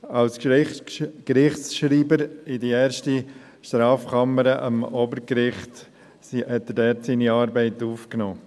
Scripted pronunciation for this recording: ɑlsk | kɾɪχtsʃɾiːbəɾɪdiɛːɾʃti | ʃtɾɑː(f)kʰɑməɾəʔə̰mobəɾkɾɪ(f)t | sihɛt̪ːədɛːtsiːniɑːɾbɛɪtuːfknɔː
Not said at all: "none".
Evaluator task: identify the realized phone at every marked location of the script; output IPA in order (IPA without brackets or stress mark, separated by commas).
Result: f, χ